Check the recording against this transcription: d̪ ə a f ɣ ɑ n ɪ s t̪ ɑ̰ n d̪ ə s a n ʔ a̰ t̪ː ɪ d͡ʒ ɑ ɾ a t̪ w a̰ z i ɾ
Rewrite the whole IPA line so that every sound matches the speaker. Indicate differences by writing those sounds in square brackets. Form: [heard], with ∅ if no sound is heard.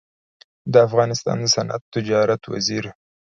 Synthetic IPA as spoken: d̪ ə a f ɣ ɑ n ɪ s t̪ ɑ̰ n d̪ ə s a n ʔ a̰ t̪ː ɪ d͡ʒ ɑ ɾ a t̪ w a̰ z i ɾ

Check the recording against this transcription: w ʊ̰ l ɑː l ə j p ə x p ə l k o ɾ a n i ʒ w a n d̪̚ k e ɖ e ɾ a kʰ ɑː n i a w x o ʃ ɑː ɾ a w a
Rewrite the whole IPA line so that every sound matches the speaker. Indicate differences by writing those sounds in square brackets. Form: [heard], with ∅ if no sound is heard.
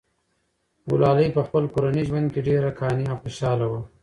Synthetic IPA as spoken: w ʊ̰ l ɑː l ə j p ə x p ə l k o ɾ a n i ʒ w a n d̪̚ k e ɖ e ɾ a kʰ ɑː n i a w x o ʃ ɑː [l] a w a

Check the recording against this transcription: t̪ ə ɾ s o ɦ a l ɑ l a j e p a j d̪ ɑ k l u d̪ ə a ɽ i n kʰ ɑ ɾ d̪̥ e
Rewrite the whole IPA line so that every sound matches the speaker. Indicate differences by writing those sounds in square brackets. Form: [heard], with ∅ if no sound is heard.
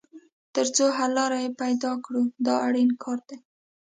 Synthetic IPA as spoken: t̪ ə ɾ [t͡s] o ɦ a l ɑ [ɾ] a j e p a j d̪ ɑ k [ɽ] u d̪ [ɑ] a ɽ i n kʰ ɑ ɾ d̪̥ e

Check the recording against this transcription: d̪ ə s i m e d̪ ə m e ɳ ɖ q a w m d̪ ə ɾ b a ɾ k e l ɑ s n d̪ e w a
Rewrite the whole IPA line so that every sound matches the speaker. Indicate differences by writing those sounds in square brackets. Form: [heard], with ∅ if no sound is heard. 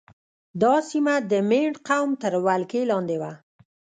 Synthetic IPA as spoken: d̪ [ɑ] s i m [a] d̪ ə m e ɳ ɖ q a w m [t̪] ə ɾ [w] a [l] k e l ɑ [∅] n d̪ e w a

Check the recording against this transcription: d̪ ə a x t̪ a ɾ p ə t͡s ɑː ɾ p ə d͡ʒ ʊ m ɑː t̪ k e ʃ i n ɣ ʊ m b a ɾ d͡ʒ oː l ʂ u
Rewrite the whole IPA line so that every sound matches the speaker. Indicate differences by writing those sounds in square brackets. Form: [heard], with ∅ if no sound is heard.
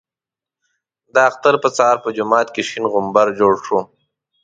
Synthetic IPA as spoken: d̪ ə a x t̪ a ɾ p ə t͡s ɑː ɾ p ə d͡ʒ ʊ m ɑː t̪ k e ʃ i n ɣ ʊ m b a ɾ d͡ʒ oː [ɽ] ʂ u

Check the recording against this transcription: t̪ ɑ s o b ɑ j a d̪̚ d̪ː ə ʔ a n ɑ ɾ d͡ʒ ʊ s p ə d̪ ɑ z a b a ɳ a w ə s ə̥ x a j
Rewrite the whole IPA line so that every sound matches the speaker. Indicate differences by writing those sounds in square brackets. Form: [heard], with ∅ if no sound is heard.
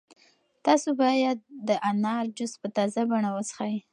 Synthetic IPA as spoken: t̪ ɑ s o b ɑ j a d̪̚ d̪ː ə ʔ a n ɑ ɾ d͡ʒ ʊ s p ə [t̪] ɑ z a b a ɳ a w ə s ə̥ x a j

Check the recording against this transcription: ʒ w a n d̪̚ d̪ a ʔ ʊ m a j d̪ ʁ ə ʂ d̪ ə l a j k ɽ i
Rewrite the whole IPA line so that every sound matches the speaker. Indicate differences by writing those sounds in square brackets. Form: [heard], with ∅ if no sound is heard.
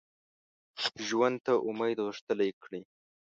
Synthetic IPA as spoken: ʒ w a n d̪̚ [t̪] a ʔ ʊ m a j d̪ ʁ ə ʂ [t̪] ə l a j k ɽ i

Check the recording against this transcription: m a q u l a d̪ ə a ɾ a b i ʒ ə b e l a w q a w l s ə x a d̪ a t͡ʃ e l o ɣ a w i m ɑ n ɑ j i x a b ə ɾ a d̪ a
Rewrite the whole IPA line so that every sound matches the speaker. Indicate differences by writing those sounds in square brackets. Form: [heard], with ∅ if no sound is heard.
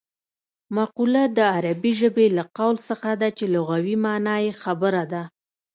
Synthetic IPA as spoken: m a q u l a d̪ ə a ɾ a b i ʒ ə b e l a [∅] q a w l s ə x a d̪ a t͡ʃ e l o ɣ a w i m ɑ n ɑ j [e] x a b ə ɾ a d̪ a

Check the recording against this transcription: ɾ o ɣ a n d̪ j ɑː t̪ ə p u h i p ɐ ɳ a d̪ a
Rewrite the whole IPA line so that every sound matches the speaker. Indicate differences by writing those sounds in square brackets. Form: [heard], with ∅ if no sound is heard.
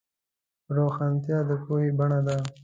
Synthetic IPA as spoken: ɾ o [x] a n [t̪] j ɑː [d̪] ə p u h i [b] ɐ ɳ a d̪ a

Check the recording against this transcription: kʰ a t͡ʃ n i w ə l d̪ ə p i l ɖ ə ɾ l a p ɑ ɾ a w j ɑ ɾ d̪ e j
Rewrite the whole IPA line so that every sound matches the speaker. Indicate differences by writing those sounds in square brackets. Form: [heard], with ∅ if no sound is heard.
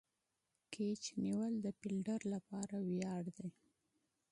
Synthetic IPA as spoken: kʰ [e] t͡ʃ n i w ə l d̪ ə p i l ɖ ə ɾ l a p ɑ ɾ a w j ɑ [ɽ] d̪ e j

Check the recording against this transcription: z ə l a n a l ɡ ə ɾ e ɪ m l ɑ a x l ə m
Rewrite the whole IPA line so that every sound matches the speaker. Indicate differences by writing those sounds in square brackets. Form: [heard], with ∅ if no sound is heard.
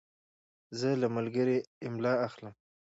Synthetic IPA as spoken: z ə l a [m] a l ɡ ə ɾ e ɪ m l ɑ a x l ə m

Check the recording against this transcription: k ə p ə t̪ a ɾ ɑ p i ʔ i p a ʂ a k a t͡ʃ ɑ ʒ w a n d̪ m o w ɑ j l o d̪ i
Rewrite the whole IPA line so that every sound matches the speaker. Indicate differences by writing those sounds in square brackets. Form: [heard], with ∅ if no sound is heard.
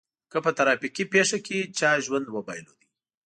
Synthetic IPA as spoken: k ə p ə t̪ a ɾ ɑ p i [k] i p [e] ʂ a k [e] t͡ʃ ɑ ʒ w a n d̪ m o [b] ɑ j l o d̪ i

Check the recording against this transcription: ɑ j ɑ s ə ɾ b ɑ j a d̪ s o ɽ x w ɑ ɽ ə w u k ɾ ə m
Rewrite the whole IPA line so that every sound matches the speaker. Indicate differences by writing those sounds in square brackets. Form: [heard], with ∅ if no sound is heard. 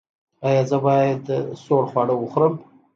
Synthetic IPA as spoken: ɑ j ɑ [z] ə [∅] b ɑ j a d̪ s o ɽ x w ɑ ɽ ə w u [x] ɾ ə m

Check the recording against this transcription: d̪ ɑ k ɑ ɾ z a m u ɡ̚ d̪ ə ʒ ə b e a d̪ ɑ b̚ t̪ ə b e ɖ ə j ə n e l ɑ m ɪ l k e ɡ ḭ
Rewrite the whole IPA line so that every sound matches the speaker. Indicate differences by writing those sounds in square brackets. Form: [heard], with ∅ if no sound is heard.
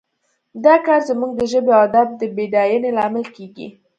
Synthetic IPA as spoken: d̪ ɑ k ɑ ɾ z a m u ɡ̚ d̪ ə ʒ ə b e a d̪ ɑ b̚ [d̪] ə b e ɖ [ɑ] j ə n e l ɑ m ɪ l k e ɡ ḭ

